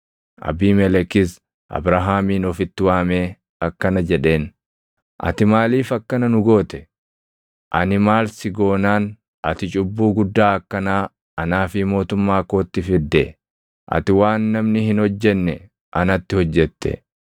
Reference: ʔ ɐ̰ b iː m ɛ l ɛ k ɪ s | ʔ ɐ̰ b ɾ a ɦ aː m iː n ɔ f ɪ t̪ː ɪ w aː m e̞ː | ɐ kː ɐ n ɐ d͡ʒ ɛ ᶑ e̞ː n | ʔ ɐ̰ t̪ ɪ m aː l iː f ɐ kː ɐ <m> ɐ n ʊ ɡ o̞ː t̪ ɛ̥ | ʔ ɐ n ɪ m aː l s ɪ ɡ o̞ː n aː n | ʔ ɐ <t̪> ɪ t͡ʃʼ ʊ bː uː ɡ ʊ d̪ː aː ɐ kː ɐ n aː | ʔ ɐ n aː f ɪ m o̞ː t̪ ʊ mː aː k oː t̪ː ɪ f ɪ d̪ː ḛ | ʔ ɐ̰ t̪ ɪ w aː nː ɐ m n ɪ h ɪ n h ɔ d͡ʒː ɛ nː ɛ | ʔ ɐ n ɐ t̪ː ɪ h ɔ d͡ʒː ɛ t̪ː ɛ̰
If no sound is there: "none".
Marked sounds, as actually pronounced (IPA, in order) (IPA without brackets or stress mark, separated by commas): n, t̪